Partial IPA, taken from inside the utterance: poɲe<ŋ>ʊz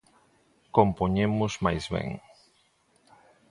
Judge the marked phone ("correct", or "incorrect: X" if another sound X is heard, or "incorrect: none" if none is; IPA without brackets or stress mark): incorrect: m